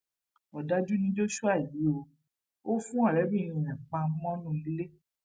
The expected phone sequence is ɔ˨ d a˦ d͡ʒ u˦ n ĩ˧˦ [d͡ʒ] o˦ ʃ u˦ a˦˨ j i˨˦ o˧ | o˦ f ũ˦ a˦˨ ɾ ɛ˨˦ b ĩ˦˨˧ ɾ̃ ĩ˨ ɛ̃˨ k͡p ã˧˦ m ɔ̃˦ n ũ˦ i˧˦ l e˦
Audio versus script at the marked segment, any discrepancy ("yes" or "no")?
no